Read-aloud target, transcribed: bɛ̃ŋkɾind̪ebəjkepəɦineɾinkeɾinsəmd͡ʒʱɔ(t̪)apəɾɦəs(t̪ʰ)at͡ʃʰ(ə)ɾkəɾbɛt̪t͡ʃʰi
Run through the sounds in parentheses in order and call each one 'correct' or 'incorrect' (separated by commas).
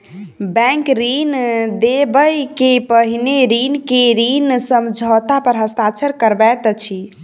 correct, incorrect, correct